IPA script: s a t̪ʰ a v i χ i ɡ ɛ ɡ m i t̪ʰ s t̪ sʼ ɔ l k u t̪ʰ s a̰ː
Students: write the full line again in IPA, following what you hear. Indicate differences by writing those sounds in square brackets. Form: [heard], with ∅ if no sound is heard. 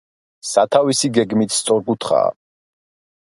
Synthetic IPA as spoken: s a t̪ʰ a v i [s] i ɡ ɛ ɡ m i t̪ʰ s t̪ sʼ ɔ [ɾ] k u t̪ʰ [χ] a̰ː